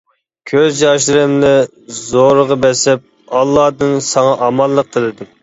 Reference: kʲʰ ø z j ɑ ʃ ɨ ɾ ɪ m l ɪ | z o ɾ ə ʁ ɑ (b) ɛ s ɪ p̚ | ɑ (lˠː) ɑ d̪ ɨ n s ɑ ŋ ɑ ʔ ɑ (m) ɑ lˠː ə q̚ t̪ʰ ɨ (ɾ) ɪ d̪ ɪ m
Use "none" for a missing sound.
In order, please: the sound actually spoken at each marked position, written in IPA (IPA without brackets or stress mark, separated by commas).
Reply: b, lˠː, m, l